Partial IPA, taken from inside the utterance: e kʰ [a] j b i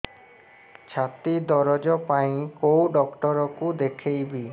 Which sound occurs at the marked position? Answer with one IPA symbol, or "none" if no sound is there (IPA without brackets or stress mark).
e